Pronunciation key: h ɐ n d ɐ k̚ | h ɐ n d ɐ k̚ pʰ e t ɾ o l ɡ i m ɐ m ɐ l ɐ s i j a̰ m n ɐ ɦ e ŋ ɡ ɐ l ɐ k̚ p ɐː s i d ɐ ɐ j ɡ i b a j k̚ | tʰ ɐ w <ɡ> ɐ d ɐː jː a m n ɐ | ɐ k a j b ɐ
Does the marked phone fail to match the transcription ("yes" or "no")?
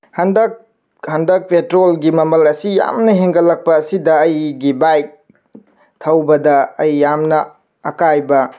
yes